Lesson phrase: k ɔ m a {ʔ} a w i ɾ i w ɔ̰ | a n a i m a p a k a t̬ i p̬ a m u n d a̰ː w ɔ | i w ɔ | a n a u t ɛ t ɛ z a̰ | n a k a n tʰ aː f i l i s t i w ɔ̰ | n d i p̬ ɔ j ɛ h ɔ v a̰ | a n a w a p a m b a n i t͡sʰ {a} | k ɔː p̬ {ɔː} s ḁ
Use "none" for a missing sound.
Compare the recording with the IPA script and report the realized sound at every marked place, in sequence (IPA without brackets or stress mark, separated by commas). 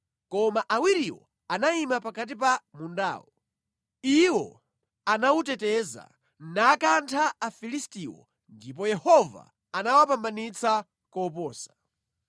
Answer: ʔ, a, ɔː